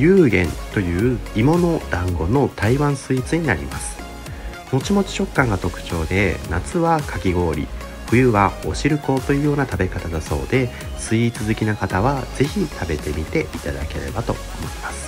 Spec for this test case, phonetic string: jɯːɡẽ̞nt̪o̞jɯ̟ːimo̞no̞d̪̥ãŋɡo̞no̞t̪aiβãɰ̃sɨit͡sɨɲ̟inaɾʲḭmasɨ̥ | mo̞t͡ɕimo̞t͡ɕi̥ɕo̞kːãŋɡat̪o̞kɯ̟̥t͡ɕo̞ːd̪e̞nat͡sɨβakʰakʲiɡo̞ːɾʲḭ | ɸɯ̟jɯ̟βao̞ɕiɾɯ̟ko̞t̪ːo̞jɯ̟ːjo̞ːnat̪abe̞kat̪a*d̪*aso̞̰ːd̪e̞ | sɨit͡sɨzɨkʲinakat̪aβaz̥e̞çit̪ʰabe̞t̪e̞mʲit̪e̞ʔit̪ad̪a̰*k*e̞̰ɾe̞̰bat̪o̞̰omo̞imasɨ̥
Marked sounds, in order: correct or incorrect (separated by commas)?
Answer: correct, correct